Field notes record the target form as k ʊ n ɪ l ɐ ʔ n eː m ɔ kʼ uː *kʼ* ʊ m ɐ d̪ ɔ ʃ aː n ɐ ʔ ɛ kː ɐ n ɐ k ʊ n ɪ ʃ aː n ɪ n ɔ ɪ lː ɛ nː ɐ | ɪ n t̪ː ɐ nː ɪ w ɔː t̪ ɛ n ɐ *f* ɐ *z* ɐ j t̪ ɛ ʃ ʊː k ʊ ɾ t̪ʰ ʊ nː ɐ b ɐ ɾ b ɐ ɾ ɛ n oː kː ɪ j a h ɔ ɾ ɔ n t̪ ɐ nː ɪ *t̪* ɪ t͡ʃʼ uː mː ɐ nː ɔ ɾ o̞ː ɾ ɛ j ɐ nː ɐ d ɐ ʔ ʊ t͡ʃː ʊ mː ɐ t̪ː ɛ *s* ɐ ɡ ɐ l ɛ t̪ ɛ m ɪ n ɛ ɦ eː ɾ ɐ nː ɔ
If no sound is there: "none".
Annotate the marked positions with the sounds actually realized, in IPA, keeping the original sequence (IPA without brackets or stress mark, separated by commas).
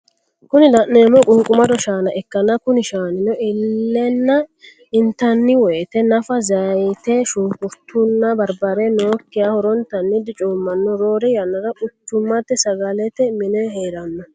kʼ, f, z, d̪, s